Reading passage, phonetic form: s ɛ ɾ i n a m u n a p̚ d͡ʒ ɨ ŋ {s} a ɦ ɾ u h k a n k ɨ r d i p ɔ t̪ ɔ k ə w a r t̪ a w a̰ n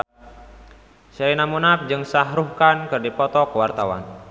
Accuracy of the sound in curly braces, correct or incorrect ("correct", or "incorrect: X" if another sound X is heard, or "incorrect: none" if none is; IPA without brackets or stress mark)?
correct